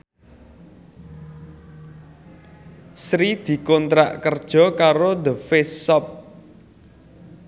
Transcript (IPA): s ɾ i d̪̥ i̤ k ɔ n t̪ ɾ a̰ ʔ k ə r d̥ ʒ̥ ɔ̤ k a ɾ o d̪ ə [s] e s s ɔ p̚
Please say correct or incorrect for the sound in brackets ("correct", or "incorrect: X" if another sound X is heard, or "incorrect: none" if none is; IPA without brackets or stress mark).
incorrect: f